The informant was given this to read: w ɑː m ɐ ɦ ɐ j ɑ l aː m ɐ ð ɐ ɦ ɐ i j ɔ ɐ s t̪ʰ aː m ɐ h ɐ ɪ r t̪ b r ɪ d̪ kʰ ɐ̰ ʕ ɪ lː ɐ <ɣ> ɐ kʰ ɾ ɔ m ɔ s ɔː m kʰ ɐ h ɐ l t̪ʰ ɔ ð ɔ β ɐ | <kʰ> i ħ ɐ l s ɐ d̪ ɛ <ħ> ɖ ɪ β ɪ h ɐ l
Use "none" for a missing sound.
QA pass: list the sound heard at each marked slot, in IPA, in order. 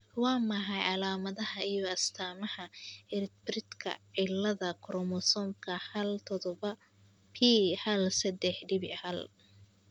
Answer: ð, pʰ, ħ

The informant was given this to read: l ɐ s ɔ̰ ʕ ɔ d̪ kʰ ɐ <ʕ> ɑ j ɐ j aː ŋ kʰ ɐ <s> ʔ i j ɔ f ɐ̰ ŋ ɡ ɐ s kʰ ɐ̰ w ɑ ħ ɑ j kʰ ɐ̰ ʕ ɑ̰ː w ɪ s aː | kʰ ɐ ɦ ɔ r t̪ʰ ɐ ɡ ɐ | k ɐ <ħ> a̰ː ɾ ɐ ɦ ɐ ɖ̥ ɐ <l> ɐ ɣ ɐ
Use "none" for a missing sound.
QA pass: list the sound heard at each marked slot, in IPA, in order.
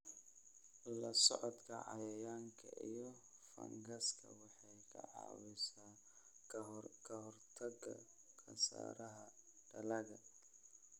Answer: ʕ, none, s, l

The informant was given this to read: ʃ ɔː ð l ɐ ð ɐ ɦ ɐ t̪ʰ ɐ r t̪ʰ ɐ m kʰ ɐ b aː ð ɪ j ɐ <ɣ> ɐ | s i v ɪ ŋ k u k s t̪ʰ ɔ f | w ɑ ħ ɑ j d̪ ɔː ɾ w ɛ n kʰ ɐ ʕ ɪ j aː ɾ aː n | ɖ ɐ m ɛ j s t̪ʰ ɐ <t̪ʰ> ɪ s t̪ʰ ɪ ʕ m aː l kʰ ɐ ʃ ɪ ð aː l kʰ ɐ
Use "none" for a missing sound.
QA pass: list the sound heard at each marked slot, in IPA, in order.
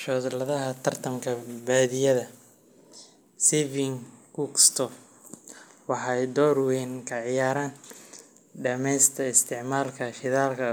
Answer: ð, none

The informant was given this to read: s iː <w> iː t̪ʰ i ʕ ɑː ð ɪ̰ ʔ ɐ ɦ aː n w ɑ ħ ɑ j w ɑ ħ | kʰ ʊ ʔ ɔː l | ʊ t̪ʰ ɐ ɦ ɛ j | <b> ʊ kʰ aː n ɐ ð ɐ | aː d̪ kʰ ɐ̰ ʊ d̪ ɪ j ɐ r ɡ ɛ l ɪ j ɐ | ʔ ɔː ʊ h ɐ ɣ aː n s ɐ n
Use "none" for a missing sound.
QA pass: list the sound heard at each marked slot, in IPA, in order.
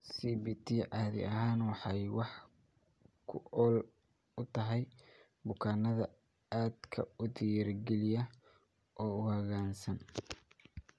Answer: b, b

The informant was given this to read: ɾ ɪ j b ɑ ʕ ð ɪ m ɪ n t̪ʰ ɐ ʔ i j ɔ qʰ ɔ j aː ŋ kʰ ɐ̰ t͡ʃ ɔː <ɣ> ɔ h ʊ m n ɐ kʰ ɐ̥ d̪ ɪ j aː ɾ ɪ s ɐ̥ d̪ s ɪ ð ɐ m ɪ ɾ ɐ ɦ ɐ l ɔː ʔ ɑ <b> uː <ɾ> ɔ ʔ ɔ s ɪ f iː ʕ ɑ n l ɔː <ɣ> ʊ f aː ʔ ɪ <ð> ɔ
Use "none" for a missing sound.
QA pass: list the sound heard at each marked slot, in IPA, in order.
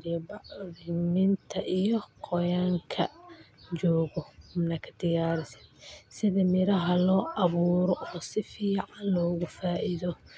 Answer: ɣ, β, ɾ, ɣ, ð

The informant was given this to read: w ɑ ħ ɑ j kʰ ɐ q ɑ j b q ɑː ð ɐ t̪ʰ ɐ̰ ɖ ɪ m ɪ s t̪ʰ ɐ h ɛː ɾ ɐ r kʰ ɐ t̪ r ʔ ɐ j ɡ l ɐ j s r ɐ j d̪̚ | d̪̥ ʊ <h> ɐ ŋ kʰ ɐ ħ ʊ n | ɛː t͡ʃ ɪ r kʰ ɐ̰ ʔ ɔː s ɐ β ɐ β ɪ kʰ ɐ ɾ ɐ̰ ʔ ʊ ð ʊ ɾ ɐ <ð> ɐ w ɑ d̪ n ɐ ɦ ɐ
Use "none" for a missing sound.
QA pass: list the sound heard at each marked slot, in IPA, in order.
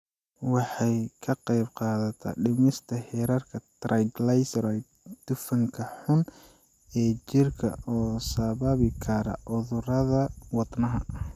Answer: f, ð

